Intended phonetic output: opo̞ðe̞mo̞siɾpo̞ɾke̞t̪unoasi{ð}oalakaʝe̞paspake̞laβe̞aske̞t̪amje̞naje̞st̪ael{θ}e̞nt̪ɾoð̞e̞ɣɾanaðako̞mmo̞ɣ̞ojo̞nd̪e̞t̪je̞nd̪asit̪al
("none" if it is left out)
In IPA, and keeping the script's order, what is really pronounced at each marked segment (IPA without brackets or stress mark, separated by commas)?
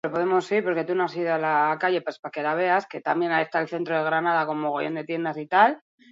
ð, θ